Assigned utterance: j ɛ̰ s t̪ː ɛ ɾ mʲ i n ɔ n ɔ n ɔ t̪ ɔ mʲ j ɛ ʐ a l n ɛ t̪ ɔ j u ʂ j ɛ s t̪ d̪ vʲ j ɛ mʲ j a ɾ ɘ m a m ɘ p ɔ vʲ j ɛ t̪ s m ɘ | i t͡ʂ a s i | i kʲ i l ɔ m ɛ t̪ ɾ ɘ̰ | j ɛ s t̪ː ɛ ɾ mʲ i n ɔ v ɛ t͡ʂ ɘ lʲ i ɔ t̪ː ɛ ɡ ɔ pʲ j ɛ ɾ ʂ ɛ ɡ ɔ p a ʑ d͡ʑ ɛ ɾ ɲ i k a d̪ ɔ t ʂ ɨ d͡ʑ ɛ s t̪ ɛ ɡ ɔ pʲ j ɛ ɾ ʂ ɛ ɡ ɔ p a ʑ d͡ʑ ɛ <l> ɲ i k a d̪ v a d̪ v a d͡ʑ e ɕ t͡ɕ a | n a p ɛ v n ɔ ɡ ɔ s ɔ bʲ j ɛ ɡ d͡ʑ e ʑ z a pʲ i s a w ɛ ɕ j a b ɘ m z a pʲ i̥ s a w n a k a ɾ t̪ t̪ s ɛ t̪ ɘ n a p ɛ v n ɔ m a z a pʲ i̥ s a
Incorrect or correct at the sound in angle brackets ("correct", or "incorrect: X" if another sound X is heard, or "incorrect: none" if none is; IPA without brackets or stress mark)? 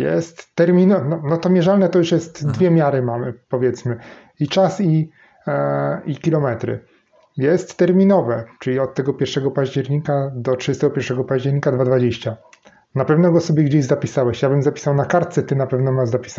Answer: incorrect: ɾ